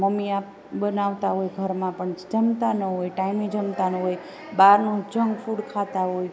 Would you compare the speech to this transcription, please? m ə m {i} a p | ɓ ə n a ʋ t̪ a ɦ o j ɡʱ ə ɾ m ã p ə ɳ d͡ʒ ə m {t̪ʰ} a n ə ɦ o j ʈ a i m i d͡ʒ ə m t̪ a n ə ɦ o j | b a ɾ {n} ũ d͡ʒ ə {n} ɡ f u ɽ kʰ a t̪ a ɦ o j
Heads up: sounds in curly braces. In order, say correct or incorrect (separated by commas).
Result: correct, incorrect, correct, incorrect